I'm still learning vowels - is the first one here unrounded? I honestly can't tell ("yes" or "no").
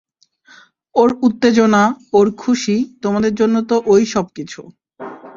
no